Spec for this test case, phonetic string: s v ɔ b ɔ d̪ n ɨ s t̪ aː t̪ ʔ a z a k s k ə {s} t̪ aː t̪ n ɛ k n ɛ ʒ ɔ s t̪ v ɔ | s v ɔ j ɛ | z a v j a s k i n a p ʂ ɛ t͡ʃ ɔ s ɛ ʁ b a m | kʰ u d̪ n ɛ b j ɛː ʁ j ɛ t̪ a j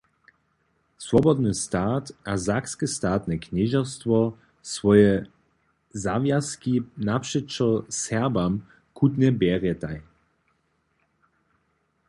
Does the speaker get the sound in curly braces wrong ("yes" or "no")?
no